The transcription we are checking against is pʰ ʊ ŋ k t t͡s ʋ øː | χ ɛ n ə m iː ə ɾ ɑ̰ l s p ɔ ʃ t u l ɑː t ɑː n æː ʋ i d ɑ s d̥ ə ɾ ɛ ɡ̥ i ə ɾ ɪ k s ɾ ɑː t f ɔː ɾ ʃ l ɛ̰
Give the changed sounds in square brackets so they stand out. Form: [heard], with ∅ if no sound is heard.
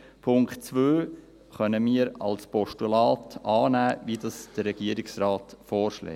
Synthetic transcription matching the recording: pʰ ʊ ŋ k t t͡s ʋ øː | χ [œ] n ə m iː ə ɾ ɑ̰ l s p ɔ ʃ t u l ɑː t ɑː n æː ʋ i d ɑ s d̥ ə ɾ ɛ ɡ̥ i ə ɾ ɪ k s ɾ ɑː t f ɔː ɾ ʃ l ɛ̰